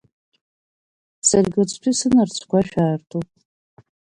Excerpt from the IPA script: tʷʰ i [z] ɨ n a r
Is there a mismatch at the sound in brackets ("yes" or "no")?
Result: yes